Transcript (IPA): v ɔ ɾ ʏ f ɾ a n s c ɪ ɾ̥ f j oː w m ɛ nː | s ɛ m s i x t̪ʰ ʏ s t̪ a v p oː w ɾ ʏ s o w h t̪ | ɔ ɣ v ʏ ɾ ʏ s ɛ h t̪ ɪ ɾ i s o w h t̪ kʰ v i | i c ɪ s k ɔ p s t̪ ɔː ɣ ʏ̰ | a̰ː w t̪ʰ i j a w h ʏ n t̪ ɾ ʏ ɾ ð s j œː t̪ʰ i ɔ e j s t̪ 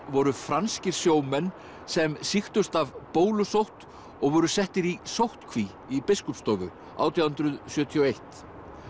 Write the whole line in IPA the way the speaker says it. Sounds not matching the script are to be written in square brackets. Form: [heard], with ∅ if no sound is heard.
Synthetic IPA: v ɔ ɾ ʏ f ɾ a n s c ɪ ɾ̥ [s] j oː w m ɛ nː | s ɛ m s i x [t̪] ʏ s t̪ a v p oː w [l] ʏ s o w h t̪ | ɔ ɣ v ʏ ɾ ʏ s ɛ h t̪ ɪ ɾ i s o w h t̪ kʰ v i | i [p] ɪ s k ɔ p s t̪ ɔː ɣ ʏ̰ | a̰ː w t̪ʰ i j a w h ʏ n t̪ ɾ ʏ [∅] ð s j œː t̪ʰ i ɔ e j [h] t̪